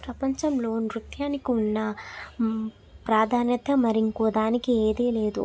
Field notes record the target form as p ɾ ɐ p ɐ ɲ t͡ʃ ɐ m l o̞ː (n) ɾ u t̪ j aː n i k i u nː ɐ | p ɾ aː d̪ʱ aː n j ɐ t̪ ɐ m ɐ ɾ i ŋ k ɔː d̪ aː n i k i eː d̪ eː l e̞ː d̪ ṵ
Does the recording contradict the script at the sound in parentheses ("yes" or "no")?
no